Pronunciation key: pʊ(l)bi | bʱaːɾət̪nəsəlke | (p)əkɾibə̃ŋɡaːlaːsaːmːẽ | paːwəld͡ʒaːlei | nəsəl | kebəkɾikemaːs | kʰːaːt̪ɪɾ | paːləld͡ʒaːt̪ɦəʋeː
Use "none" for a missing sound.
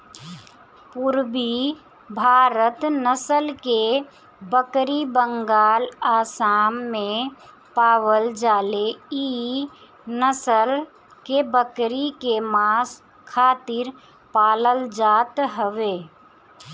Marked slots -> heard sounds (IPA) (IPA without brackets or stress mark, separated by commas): ɾ, b